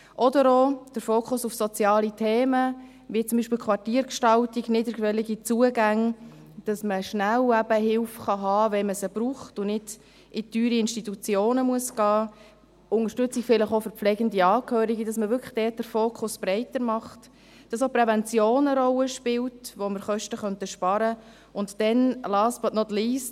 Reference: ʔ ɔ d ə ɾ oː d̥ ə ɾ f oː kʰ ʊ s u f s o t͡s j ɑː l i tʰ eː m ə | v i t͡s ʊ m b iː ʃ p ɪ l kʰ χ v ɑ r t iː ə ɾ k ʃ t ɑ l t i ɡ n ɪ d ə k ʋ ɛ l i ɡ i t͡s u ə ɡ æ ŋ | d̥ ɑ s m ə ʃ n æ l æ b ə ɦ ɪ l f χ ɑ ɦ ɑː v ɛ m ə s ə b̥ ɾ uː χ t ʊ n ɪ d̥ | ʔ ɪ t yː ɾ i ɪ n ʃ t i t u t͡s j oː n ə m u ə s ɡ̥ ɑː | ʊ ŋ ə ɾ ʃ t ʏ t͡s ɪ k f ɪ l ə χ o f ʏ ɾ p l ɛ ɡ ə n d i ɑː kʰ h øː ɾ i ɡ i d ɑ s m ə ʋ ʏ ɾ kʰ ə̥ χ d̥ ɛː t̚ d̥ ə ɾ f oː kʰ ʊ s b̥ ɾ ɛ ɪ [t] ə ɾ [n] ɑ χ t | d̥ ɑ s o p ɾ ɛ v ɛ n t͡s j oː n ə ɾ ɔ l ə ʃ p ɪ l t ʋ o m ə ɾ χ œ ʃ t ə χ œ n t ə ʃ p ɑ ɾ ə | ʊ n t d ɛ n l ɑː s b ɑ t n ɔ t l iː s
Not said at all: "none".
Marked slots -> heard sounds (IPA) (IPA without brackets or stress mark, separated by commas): t, m